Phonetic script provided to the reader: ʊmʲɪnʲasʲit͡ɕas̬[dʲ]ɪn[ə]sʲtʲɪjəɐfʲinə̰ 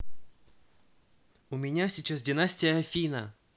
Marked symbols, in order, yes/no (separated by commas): yes, no